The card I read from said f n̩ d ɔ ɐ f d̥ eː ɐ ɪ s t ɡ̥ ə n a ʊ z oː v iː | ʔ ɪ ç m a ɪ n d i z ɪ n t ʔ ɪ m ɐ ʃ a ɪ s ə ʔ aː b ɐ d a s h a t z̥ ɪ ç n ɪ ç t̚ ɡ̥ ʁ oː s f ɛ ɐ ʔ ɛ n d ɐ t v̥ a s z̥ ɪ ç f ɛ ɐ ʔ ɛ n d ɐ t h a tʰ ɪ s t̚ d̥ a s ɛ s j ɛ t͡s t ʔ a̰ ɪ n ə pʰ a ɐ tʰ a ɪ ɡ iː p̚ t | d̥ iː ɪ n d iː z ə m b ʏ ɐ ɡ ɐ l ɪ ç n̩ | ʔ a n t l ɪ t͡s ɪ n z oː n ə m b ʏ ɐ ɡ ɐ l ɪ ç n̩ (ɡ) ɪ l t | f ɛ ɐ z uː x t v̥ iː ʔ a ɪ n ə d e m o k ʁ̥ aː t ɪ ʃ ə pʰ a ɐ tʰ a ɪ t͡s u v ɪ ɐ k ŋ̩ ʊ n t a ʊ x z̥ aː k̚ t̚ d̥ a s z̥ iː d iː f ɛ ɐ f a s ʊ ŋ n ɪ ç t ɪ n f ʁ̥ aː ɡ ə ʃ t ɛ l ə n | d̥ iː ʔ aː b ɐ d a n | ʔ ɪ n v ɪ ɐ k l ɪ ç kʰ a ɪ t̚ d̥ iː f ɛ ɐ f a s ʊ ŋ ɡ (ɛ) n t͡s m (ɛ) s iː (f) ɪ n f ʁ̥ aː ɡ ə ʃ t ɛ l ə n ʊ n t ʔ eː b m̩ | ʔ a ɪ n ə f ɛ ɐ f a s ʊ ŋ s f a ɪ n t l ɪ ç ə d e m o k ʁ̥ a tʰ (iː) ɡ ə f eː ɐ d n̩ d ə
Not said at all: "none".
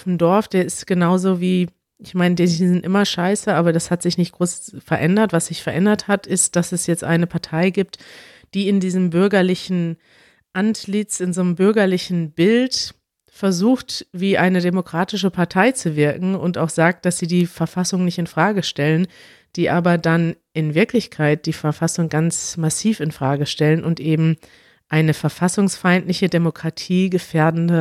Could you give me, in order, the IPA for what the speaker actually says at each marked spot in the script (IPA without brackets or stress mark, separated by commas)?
b, a, a, f, iː